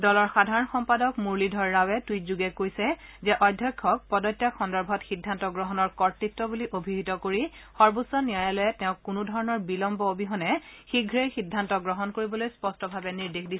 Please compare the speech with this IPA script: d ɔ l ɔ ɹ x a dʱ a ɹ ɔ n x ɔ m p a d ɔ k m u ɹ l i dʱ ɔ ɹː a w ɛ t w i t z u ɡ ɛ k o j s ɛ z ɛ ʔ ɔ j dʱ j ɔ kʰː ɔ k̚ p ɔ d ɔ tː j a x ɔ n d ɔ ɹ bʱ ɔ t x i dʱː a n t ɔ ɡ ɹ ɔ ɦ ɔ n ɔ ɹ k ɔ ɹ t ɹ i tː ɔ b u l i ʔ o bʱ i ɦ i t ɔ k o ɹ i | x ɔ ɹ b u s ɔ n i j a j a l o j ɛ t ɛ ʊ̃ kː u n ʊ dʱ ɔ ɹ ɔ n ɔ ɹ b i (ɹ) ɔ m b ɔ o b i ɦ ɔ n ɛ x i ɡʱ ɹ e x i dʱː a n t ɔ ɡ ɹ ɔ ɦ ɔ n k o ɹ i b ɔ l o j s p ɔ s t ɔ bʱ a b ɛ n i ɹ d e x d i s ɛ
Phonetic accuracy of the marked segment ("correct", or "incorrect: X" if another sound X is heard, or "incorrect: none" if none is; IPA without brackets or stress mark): incorrect: l